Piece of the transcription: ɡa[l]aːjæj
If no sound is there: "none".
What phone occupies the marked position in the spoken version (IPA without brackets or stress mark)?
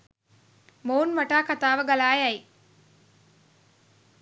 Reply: l